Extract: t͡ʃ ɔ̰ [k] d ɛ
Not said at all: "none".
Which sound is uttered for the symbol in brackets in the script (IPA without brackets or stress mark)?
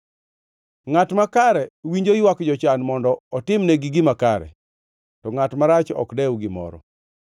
k